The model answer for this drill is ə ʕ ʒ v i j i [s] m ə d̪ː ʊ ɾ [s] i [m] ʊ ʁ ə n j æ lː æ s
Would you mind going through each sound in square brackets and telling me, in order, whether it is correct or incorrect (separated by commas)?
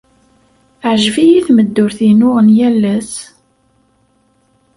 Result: incorrect, incorrect, incorrect